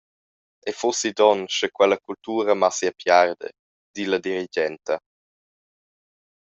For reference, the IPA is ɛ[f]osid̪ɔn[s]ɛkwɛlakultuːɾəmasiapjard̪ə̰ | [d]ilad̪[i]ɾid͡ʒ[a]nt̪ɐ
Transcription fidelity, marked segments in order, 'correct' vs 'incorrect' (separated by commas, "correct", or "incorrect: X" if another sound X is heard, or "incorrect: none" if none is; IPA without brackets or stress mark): correct, incorrect: ʃ, correct, correct, incorrect: ɛ